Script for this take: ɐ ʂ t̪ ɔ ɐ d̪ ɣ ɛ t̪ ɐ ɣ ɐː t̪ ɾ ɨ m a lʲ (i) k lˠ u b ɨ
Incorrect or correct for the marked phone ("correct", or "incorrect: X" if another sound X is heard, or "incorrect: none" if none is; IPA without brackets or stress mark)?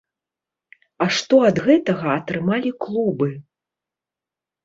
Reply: correct